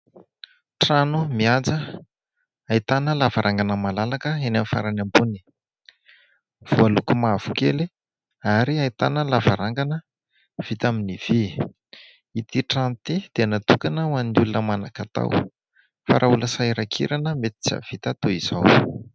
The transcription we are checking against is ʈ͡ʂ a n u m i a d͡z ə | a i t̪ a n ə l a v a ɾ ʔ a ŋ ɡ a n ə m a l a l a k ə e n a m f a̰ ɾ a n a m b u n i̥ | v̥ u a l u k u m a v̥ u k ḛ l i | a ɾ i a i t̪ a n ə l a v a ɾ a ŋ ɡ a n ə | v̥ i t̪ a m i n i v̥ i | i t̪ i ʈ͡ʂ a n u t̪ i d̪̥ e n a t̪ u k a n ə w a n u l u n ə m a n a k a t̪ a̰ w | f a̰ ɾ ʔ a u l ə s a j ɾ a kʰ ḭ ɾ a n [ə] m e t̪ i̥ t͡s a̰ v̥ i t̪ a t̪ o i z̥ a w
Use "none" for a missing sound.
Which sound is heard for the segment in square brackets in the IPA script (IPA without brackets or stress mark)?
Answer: ə